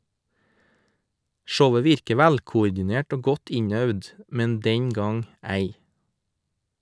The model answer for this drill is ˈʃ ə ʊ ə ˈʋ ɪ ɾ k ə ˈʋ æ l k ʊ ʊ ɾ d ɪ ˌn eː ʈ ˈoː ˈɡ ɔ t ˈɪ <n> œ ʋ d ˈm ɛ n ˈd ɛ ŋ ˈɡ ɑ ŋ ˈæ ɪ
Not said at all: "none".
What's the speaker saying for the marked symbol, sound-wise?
ɲ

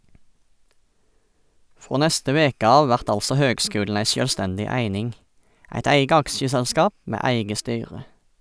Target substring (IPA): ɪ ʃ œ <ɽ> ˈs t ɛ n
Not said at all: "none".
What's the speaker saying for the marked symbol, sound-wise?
l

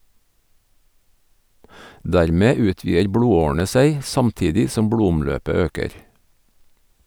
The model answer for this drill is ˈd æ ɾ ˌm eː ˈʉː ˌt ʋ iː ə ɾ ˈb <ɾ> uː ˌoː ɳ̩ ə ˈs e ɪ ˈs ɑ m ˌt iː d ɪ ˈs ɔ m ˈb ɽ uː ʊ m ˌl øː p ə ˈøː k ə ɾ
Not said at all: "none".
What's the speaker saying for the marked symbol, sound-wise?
ɽ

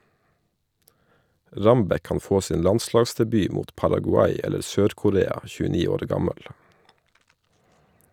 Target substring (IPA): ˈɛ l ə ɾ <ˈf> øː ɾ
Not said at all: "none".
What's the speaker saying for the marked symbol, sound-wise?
s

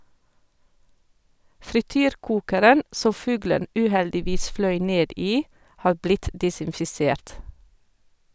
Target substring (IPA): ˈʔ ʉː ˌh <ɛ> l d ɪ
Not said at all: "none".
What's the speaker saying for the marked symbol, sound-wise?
ɛ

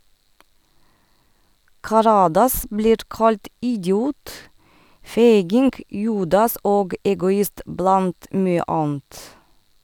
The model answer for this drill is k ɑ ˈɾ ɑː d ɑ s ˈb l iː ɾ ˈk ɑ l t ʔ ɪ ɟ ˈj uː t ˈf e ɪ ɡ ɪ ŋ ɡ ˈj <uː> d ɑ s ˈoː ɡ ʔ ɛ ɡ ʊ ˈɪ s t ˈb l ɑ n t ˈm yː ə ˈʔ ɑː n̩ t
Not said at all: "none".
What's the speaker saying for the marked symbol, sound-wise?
uː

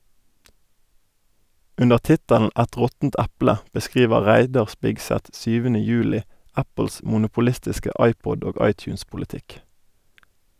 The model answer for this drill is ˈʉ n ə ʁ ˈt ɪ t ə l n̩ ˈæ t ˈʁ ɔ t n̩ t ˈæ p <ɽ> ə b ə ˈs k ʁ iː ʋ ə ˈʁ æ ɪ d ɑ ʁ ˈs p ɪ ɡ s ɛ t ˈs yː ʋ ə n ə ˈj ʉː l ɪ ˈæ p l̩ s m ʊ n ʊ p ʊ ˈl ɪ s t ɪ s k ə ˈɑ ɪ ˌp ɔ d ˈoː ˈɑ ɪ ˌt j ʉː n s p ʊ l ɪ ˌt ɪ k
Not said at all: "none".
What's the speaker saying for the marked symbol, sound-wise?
l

